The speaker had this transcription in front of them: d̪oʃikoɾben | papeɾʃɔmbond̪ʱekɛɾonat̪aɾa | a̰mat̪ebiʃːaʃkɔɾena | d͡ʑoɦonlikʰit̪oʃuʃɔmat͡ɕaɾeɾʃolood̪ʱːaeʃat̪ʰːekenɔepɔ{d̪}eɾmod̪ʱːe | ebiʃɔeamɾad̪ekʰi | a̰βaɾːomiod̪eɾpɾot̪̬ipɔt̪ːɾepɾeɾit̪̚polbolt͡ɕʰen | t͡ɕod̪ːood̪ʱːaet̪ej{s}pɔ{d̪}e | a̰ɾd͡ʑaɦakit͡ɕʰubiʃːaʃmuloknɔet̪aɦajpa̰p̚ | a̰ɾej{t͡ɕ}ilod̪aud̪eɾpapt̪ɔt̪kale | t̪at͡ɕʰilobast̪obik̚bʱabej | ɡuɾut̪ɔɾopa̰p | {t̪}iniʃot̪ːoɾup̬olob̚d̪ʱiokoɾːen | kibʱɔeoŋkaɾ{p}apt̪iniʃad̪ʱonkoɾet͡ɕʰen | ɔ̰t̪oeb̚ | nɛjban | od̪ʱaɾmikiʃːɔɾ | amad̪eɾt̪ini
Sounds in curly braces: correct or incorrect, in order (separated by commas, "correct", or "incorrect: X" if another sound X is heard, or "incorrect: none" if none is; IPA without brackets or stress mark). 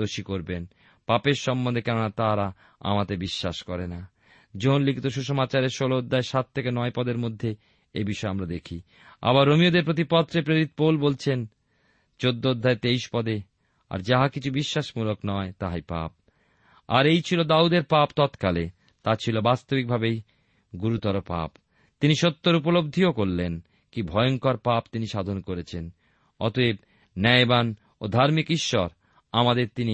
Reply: correct, incorrect: ʃ, correct, incorrect: t͡ɕʰ, correct, correct